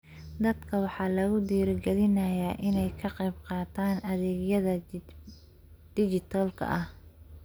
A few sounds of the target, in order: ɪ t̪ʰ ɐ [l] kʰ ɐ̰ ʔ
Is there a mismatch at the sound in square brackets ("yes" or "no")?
no